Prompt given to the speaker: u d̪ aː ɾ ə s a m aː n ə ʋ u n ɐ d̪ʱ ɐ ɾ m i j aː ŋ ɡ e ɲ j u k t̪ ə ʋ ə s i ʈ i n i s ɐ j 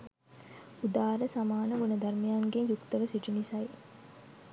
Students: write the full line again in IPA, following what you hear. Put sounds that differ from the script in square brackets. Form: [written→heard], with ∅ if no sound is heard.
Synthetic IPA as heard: u d̪ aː ɾ ə s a m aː n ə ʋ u n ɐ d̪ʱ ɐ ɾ m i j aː ŋ ɡ e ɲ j u k t̪ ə ʋ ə s i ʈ i n i s ɐ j